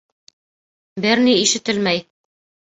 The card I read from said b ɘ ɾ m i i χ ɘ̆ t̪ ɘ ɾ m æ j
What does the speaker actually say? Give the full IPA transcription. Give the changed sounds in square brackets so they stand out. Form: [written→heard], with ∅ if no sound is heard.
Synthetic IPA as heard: b ɘ ɾ [m→n] i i [χ→ʃ] ɘ̆ t̪ ɘ [ɾ→l] m æ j